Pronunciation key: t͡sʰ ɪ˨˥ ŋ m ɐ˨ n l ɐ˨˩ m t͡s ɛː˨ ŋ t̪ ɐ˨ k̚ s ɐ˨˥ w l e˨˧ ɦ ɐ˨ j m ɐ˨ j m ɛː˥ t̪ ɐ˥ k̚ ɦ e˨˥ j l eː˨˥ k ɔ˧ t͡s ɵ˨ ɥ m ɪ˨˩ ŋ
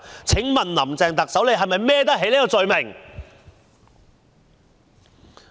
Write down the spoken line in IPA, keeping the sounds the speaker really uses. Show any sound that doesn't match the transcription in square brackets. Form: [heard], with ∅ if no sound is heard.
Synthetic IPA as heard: t͡sʰ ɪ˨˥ ŋ m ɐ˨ n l ɐ˨˩ m t͡s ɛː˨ ŋ t̪ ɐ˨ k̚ s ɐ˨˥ w l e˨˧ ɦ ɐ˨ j m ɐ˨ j m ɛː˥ t̪ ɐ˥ k̚ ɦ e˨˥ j l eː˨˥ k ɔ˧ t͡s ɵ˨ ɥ m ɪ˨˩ ŋ